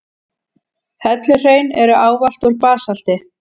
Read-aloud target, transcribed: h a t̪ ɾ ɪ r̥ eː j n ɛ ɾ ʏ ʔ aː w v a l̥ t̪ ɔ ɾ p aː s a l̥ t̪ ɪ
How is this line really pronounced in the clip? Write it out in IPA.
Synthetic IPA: h ɛ t̪ l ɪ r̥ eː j n ɛ ɾ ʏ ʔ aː w v a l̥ t̪ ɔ ɾ p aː s a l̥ t̪ ɪ